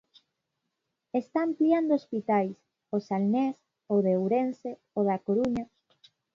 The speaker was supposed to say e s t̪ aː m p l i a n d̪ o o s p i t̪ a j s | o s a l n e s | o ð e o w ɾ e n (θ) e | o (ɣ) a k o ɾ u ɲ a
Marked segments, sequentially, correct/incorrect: incorrect: s, incorrect: ð

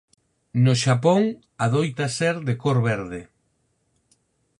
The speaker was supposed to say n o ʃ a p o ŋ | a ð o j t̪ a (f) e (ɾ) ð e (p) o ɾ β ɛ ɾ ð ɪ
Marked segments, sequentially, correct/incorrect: incorrect: s, correct, incorrect: k

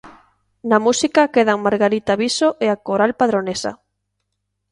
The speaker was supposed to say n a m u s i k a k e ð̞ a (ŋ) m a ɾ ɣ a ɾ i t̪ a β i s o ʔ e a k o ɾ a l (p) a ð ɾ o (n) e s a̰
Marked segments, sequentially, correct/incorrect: correct, correct, correct

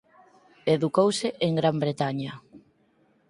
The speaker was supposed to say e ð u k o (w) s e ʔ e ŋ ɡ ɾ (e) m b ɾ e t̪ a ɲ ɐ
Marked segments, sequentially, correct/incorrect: correct, incorrect: a

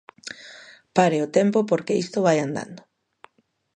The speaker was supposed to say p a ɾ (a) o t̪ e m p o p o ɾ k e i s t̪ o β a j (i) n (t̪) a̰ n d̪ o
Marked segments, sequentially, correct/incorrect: incorrect: e, incorrect: a, incorrect: d̪

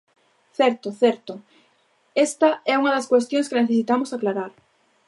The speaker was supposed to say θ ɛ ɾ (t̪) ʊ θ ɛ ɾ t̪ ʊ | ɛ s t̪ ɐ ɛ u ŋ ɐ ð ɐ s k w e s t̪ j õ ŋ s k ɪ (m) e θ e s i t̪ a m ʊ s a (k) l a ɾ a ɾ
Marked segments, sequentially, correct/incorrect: correct, incorrect: n, correct

